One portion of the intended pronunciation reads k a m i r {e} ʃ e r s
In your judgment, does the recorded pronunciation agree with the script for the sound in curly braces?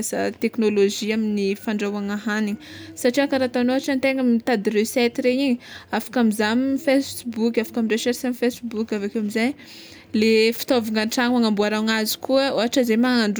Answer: yes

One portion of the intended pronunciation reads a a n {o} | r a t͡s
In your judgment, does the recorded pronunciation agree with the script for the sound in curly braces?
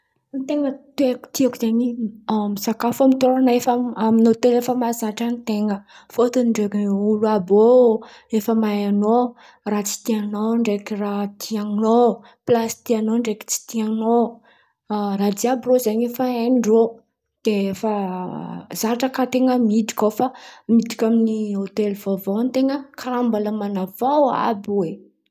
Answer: yes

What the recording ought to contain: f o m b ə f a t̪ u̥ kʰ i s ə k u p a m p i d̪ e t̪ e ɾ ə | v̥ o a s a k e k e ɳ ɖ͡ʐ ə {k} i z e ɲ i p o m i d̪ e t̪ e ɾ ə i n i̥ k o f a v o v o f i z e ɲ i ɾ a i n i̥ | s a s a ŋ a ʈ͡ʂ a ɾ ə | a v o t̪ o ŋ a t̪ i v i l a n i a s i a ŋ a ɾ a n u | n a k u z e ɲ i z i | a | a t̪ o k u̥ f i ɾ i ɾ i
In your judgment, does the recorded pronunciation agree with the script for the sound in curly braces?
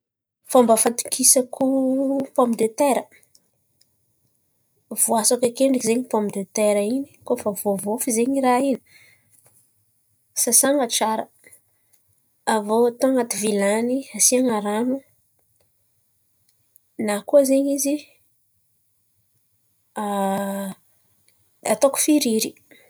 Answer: yes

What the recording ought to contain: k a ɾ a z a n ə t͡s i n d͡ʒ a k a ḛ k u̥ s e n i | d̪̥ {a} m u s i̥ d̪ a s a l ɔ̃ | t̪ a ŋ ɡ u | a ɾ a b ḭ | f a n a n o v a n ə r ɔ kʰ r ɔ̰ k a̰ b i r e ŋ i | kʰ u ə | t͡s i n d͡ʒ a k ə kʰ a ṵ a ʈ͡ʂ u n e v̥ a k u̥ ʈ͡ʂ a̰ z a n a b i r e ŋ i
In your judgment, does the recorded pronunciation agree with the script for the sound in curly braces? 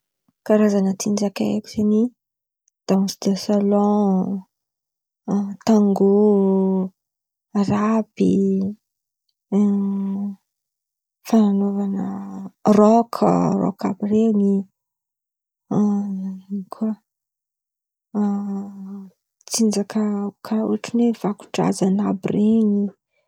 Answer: yes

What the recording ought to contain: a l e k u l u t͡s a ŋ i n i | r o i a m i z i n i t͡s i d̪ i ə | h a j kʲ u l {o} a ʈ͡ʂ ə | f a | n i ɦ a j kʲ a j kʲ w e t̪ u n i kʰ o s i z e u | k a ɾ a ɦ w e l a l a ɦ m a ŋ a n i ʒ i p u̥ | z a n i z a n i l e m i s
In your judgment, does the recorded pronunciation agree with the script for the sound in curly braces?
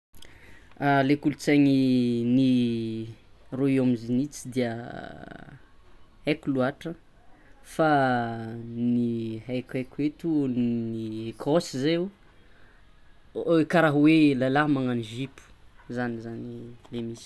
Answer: no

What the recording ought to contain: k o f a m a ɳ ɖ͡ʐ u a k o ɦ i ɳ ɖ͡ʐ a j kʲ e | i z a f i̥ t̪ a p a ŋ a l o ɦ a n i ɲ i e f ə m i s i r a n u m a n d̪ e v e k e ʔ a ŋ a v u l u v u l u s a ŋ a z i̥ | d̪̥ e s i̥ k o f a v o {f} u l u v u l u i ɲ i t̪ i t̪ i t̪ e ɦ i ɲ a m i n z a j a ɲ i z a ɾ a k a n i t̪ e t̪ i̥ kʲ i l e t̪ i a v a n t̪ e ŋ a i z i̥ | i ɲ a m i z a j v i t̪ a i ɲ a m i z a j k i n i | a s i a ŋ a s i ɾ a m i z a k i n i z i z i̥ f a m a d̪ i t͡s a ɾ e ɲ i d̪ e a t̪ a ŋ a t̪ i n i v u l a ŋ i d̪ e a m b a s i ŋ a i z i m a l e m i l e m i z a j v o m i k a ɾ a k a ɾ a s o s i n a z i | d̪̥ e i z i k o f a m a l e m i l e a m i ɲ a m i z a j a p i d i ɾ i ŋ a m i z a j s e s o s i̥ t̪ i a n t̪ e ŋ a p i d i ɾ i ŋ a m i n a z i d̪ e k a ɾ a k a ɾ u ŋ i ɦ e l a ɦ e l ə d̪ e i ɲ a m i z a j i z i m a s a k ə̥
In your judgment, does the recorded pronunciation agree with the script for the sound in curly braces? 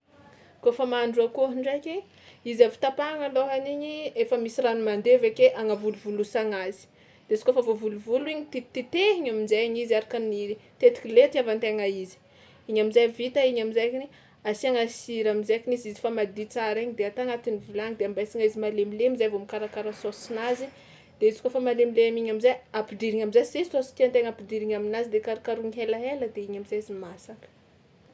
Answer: no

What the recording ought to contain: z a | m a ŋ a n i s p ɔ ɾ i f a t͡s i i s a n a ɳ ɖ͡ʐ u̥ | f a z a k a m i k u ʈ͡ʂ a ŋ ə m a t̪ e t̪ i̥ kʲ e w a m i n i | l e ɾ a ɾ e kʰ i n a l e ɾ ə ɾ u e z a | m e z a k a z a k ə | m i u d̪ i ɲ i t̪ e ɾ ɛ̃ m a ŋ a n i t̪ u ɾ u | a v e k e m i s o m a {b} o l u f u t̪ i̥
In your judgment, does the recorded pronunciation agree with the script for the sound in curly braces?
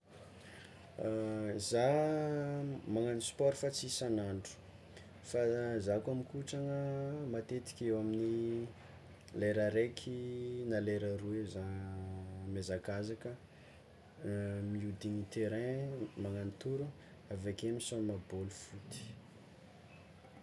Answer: yes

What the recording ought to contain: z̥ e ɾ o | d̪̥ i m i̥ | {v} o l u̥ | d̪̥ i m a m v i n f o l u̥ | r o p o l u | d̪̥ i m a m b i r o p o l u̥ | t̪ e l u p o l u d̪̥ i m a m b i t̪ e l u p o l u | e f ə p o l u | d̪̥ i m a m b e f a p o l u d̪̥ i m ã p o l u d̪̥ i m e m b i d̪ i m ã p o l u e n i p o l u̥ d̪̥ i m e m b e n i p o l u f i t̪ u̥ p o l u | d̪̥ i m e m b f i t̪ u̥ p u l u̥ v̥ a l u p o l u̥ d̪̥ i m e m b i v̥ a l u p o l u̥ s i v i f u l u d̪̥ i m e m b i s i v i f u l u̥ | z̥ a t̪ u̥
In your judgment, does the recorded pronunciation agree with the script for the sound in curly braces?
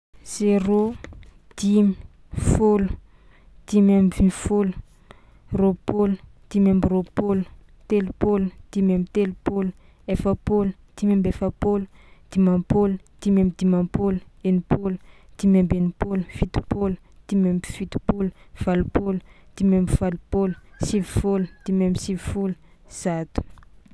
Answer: no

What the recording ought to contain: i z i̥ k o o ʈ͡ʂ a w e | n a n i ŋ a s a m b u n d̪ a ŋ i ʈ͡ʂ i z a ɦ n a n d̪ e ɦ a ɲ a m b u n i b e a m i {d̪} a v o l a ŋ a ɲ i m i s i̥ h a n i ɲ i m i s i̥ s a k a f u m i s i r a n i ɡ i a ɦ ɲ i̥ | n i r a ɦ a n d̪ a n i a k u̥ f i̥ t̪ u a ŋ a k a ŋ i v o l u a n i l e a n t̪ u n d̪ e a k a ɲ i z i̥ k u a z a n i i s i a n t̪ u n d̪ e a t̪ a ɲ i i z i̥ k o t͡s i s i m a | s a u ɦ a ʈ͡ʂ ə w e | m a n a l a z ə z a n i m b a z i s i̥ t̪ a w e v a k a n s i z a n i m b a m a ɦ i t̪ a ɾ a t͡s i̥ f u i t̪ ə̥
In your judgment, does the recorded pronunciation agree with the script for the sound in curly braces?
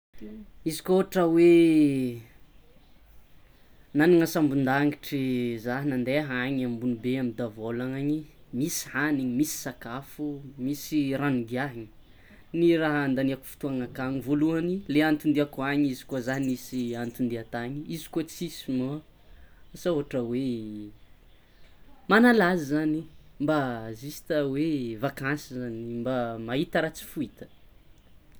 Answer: yes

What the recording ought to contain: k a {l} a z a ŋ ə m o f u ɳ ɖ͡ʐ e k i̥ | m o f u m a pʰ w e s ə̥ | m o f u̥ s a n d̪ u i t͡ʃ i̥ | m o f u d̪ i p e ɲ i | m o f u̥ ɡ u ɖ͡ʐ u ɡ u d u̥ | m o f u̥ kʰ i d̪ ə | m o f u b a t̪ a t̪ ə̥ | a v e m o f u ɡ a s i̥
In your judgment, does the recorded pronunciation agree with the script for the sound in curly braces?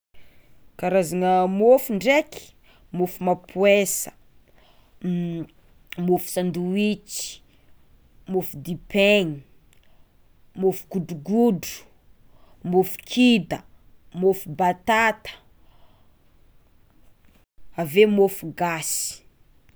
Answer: no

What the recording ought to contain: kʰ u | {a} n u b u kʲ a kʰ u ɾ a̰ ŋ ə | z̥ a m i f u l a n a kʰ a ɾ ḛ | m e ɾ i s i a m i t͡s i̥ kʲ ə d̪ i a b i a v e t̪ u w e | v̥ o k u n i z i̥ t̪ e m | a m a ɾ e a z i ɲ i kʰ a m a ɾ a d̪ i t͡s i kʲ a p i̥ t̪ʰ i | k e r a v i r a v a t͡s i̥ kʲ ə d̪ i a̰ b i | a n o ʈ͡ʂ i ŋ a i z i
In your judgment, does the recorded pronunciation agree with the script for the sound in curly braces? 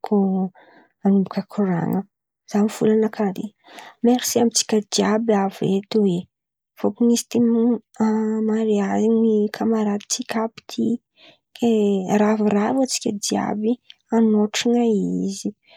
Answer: yes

